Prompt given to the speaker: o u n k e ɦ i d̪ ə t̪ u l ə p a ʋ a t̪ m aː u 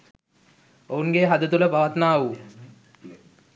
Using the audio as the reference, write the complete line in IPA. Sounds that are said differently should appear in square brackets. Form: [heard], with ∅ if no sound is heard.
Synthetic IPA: o u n [ɡ] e ɦ [a] d̪ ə t̪ u l ə p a ʋ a t̪ [n] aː u